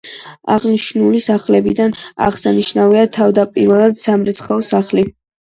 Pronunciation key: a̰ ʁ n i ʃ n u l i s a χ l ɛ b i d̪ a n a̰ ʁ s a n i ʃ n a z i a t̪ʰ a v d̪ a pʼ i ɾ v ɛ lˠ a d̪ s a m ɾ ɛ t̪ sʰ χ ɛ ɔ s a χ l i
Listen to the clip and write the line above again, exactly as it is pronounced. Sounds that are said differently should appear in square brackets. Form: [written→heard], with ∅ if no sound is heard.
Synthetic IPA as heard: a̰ ʁ n i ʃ n u l i s a χ l ɛ b i d̪ a n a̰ ʁ s a n i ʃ n a [z→v] i a t̪ʰ a v d̪ a pʼ i ɾ v ɛ lˠ a d̪ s a m ɾ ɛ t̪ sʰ χ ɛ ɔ s a χ l i